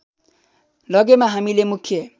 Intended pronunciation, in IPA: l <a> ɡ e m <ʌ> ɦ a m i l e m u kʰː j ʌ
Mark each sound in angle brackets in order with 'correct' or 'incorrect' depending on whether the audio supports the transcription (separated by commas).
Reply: incorrect, incorrect